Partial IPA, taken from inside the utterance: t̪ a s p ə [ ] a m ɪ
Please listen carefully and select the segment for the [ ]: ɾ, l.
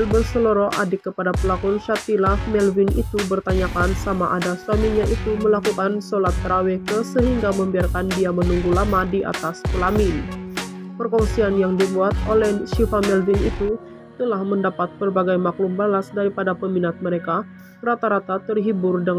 l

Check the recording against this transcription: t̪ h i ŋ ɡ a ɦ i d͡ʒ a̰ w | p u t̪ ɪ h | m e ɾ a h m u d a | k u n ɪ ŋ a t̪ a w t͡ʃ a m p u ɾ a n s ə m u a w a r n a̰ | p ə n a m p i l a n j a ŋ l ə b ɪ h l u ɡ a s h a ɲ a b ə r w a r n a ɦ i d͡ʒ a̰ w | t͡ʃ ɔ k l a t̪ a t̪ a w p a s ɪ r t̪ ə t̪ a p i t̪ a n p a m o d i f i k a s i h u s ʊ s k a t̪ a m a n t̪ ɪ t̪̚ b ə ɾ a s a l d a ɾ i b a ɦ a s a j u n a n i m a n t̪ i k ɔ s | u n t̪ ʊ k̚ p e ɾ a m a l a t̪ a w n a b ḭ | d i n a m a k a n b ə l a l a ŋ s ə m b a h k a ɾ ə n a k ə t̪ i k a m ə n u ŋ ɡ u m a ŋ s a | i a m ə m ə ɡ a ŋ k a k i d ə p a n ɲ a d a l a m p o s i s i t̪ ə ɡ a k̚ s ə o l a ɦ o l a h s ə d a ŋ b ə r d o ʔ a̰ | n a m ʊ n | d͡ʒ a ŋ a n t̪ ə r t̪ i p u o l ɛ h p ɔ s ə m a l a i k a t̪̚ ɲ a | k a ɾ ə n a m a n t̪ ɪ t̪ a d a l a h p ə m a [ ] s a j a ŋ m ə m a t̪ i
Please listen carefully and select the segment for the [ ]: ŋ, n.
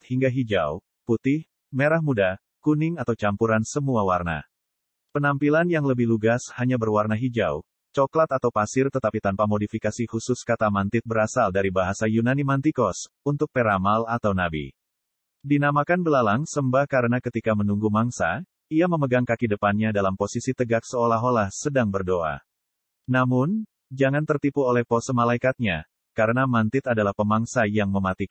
ŋ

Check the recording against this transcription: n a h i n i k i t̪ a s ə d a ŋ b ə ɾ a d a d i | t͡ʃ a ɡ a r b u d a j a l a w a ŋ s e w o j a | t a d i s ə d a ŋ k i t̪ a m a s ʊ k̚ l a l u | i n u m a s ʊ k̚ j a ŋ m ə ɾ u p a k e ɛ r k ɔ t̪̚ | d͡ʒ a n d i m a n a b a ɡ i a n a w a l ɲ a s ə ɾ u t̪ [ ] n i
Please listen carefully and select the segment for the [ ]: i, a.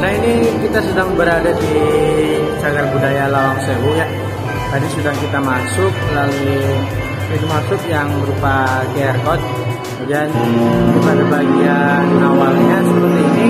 i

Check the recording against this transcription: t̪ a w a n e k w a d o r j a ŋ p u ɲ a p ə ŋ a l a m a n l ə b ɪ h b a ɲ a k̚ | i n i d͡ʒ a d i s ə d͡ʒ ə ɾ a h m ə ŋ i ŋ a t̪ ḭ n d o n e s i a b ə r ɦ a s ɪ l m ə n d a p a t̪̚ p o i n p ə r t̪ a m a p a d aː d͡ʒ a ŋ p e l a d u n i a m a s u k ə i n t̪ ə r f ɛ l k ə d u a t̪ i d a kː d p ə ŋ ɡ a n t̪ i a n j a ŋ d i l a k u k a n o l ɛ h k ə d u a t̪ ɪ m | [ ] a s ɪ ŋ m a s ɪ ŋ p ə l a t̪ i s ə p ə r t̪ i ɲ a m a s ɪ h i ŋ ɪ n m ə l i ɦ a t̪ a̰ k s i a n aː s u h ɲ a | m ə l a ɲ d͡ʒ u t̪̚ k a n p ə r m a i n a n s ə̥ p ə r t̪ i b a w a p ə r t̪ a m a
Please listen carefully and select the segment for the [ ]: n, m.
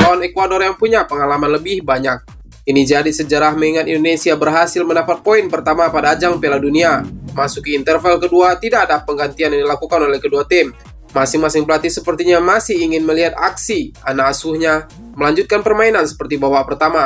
m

